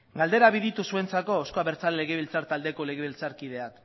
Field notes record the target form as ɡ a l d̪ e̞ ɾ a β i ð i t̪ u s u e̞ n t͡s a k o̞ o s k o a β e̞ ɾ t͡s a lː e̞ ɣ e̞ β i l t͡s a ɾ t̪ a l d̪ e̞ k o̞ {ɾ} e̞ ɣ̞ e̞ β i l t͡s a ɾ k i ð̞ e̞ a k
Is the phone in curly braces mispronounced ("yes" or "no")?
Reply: yes